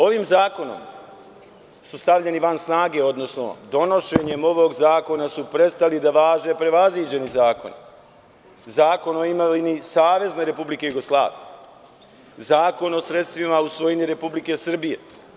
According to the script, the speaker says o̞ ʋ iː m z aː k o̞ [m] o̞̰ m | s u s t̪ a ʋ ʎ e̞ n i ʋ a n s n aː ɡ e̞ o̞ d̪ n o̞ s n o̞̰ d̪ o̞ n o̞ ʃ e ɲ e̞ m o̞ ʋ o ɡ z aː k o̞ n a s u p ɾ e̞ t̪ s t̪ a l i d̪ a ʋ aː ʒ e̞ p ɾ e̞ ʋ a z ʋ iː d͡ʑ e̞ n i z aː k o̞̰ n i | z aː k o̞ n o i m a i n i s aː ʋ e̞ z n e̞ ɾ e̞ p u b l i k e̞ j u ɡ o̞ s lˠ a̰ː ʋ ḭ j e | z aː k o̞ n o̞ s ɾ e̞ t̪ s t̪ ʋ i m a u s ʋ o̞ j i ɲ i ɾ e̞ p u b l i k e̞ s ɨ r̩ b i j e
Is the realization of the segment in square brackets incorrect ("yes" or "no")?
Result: yes